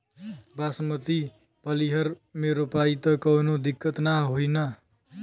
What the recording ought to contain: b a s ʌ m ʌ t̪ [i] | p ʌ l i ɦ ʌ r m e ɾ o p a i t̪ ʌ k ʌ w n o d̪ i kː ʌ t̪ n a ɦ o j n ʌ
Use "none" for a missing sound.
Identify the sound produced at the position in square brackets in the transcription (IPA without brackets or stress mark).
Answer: i